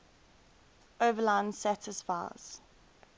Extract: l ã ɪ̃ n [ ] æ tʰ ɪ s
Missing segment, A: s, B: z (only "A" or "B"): A